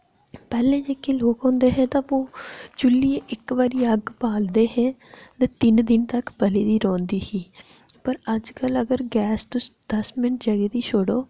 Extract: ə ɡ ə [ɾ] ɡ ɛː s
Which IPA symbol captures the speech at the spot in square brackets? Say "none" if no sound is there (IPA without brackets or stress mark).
ɾ